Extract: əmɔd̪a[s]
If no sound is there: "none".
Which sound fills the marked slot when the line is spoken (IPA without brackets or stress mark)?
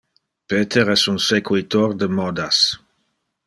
s